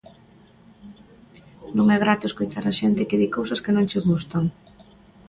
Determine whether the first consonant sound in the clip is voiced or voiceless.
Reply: voiced